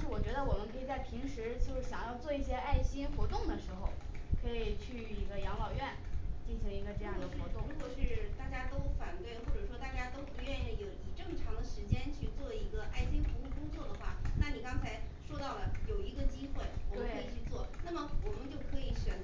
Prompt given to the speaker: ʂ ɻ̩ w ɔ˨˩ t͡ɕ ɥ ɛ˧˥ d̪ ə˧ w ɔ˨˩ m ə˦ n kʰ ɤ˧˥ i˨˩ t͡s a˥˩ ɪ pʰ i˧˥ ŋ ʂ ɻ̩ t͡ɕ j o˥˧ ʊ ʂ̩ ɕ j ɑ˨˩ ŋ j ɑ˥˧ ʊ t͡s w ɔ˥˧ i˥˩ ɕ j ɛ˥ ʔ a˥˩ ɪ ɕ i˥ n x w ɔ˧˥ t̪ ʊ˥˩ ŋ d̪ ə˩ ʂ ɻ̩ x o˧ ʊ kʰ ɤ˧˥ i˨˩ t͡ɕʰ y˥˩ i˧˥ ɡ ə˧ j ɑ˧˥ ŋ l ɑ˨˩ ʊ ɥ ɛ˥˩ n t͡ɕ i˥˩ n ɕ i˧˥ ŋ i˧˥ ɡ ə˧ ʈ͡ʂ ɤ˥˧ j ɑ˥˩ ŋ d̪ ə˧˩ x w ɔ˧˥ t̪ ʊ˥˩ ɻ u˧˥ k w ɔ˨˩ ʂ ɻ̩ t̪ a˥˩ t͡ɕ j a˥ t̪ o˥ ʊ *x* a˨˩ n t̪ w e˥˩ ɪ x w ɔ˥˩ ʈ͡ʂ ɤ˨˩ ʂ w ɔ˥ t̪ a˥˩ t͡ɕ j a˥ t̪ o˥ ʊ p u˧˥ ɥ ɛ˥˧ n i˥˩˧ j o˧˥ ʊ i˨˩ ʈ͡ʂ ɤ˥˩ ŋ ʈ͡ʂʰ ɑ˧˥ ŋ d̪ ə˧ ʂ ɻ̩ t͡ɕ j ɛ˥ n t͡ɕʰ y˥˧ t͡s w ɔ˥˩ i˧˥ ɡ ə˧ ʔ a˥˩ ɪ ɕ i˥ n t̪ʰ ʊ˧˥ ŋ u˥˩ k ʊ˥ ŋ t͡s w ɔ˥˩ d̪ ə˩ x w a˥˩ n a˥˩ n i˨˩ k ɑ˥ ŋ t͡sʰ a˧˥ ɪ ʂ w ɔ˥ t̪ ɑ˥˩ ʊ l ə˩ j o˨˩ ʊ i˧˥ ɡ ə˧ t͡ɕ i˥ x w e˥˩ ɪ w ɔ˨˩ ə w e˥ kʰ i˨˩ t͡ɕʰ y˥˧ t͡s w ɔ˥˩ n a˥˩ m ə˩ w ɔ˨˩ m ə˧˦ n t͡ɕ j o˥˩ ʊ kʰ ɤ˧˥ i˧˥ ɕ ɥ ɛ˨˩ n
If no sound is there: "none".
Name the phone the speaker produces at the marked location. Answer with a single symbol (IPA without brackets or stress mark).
f